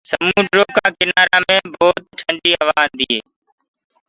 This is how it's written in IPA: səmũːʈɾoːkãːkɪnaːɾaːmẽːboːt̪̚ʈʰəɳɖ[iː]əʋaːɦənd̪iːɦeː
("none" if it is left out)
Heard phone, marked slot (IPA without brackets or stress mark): iː